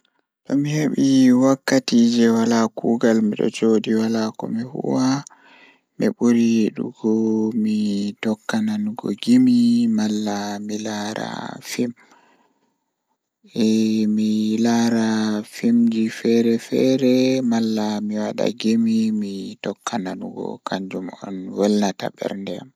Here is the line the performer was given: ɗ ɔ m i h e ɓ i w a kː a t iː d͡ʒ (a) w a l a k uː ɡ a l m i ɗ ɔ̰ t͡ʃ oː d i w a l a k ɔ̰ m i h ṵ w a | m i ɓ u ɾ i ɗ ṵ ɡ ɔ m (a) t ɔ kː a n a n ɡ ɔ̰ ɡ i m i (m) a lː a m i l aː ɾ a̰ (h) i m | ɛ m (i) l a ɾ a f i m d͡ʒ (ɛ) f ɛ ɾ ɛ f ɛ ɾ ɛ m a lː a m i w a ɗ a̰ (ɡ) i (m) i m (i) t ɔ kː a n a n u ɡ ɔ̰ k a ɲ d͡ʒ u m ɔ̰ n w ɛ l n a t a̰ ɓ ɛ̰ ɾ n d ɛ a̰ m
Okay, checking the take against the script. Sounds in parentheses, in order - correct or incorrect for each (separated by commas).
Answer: incorrect, incorrect, correct, incorrect, correct, incorrect, correct, correct, correct